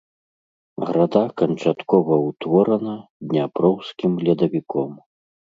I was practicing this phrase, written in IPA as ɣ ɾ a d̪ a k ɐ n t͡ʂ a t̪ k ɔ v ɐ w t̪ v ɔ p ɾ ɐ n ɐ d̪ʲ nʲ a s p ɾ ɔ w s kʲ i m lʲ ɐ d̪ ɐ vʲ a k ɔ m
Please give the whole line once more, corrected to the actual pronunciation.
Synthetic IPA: ɣ ɾ a d̪ a k ɐ n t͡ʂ a t̪ k ɔ v ɐ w t̪ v ɔ ɾ ɐ n ɐ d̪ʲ nʲ a p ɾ ɔ w s kʲ i m lʲ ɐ d̪ ɐ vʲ i k ɔ m